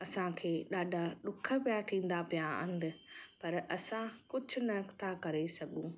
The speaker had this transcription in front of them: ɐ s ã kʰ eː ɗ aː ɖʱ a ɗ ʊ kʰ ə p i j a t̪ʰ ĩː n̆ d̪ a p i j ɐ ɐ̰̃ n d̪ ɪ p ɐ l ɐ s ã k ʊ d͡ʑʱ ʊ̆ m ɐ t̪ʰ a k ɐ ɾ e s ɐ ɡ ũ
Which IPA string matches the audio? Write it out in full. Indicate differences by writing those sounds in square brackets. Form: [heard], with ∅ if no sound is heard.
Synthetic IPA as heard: ɐ s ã kʰ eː ɗ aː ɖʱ a ɗ ʊ kʰ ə p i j a t̪ʰ ĩː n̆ d̪ a p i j [a] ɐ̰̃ n d̪ ɪ p ɐ [ɾ] ɐ s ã k ʊ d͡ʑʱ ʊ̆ [n] ɐ t̪ʰ a k ɐ ɾ e s ɐ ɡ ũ